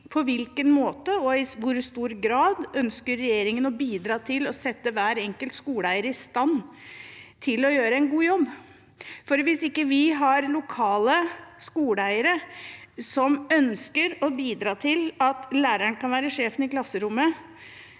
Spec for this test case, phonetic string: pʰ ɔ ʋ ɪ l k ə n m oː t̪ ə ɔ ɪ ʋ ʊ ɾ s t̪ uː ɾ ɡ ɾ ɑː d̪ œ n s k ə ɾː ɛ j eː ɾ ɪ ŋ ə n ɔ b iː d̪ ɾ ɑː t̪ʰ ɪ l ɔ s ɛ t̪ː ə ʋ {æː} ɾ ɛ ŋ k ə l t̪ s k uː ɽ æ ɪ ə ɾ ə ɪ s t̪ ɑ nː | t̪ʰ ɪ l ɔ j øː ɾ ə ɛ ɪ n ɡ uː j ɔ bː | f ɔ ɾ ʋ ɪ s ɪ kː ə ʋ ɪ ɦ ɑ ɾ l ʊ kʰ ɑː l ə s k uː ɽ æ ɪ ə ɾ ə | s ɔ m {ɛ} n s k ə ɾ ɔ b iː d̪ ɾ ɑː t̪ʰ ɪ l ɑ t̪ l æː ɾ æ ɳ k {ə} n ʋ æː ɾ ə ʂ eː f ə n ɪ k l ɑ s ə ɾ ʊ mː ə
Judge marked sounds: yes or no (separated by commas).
yes, no, no